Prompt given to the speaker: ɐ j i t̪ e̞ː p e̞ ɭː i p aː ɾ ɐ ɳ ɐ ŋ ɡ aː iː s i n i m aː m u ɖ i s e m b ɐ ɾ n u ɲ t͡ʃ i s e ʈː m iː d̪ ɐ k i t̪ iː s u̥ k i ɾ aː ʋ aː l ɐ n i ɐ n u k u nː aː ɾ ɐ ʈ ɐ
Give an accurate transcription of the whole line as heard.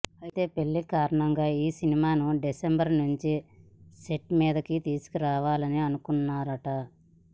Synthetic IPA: ɐ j i t̪ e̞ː p e̞ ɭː i k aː ɾ ɐ ɳ ɐ ŋ ɡ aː iː s i n i m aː n u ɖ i s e m b ɐ ɾ n u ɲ t͡ʃ i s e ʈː m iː d̪ ɐ k i t̪ iː s u̥ k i ɾ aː ʋ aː l ɐ n i ɐ n u k u nː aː ɾ ɐ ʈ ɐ